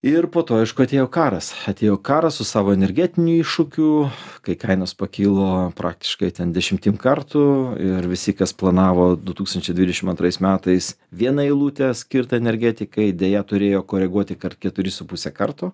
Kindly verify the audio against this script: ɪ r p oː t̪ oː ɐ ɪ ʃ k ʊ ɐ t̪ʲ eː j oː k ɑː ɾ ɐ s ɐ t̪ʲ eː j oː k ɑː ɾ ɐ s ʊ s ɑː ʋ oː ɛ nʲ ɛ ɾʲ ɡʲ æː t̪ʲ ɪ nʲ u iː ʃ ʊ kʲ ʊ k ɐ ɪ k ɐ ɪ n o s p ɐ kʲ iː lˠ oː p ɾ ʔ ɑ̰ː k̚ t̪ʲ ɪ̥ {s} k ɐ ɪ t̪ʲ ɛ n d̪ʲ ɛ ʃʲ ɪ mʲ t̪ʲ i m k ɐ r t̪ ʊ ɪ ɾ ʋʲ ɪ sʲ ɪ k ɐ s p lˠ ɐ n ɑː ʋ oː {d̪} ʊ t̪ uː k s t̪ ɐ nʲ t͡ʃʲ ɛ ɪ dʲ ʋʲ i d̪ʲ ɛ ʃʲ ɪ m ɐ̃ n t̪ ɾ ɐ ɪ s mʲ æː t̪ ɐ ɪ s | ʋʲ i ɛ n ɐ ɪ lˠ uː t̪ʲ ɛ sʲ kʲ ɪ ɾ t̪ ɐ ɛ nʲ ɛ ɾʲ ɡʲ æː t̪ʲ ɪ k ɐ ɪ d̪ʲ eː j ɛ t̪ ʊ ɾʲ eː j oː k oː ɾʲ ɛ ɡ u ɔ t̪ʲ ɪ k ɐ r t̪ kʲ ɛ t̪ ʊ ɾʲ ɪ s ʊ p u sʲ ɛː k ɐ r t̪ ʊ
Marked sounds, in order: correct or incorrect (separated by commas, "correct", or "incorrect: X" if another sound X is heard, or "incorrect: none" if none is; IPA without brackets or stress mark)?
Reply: incorrect: ʃ, correct